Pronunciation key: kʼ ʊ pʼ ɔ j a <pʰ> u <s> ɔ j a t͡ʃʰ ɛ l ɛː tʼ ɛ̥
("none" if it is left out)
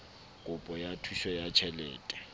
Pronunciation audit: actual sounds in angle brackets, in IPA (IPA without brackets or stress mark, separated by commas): tʰ, ʃ